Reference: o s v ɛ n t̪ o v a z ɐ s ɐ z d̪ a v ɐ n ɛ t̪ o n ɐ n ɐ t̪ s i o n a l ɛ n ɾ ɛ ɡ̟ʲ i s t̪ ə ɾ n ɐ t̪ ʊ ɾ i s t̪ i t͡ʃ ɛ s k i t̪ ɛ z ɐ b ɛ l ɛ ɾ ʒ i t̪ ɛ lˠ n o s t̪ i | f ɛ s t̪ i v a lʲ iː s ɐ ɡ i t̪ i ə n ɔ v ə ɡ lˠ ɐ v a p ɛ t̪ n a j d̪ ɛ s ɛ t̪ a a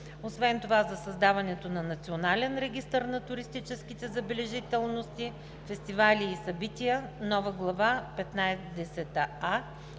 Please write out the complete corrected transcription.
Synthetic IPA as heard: o s v ɛ n t̪ o v a z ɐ s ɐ z d̪ a v ɐ n ɛ t̪ o n ɐ n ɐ t̪ s i o n a l ɛ n ɾ ɛ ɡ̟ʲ i s t̪ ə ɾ n ɐ t̪ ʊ ɾ i s t̪ i t͡ʃ ɛ s k i t̪ ɛ z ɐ b ɛ l ɛ ʒ i t̪ ɛ lˠ n o s t̪ i | f ɛ s t̪ i v a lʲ iː s ɐ b i t̪ i ə n ɔ v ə ɡ lˠ ɐ v a p ɛ t̪ n a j d̪ ɛ s ɛ t̪ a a